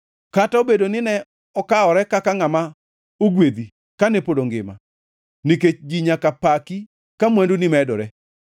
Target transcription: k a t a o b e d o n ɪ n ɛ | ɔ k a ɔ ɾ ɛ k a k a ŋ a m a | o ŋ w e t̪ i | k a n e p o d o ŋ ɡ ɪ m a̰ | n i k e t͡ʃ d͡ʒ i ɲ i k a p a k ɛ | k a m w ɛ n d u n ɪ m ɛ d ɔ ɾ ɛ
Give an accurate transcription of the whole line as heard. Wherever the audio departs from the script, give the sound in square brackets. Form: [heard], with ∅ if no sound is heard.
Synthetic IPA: k a t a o b e d o n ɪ n ɛ | ɔ k a ɔ ɾ ɛ k a k a ŋ a m a | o [ɡ] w e [d̪] i | k a n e p o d o ŋ ɡ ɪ m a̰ | n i k e t͡ʃ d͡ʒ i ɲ [a] k a p a k [i] | k a m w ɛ n d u n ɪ m ɛ d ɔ ɾ ɛ